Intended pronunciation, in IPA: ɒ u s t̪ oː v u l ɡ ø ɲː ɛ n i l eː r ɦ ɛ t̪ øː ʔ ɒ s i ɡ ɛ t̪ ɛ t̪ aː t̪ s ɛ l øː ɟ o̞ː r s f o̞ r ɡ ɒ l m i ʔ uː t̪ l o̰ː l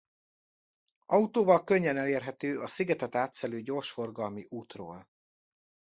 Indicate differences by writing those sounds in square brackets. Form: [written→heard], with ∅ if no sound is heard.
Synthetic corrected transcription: ɒ u [s→∅] t̪ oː v [u→ɒ] l [ɡ→k] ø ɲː ɛ n [i→ɛ] l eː r ɦ ɛ t̪ øː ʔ ɒ s i ɡ ɛ t̪ ɛ t̪ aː t̪ s ɛ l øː ɟ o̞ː r [s→ʃ] f o̞ r ɡ ɒ l m i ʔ uː t̪ [l→r] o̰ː l